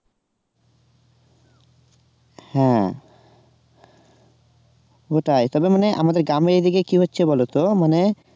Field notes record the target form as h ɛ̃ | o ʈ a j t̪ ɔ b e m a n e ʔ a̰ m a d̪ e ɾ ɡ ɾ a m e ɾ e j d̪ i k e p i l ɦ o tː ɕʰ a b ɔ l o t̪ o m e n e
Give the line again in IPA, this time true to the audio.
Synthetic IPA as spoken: h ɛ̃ | o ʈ a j t̪ ɔ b e m a n e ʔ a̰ m a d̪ e ɾ ɡ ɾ a m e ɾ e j d̪ i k e k i ɦ o tː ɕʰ e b ɔ l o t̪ o m a n e